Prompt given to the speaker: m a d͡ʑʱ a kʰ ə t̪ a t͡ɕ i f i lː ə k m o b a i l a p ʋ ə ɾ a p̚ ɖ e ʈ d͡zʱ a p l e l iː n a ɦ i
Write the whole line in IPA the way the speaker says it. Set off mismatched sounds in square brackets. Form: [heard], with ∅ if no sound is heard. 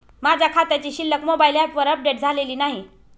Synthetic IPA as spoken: m a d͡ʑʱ a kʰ [a] t̪ a t͡ɕ i [ɕ] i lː ə k m o b a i l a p ʋ ə ɾ [ə] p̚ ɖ e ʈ d͡zʱ a [∅] l e l iː n a ɦ i